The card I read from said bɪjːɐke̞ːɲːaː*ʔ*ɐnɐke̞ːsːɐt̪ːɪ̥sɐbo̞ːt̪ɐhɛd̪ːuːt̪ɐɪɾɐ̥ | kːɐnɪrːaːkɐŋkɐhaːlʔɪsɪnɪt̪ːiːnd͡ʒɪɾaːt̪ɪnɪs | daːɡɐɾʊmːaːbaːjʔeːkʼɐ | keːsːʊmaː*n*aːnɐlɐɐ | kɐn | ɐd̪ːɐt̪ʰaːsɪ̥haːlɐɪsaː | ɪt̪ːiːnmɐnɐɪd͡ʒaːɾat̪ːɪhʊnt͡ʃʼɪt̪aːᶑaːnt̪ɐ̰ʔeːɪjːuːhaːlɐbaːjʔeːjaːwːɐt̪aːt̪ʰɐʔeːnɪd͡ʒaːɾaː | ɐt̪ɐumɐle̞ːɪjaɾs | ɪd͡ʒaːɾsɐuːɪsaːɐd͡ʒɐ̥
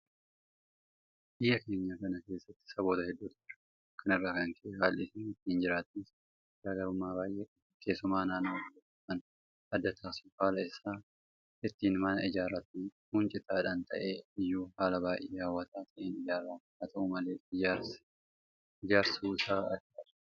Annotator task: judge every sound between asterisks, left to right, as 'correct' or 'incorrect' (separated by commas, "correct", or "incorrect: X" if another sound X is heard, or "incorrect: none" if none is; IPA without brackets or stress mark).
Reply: incorrect: k, correct